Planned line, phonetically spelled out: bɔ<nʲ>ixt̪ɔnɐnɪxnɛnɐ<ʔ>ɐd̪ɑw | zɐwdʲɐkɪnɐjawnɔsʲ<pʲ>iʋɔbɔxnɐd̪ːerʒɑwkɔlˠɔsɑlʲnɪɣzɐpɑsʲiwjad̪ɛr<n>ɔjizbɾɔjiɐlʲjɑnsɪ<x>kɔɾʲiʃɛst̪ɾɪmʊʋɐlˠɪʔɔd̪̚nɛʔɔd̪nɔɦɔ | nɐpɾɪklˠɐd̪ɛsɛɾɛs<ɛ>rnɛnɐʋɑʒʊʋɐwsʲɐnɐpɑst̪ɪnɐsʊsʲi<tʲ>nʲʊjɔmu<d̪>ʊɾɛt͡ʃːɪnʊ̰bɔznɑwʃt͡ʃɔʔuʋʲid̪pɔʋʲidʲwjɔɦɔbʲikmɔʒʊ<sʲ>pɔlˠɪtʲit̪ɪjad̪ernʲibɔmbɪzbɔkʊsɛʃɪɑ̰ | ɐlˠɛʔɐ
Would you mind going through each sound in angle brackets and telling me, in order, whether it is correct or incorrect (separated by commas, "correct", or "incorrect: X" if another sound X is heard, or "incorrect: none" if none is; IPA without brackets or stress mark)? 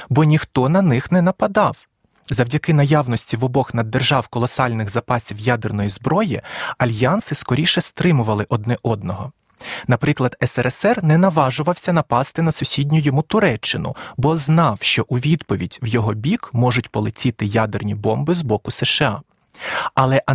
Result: correct, incorrect: p, incorrect: tʲ, correct, incorrect: s, correct, incorrect: dʲ, incorrect: t̪, incorrect: tʲ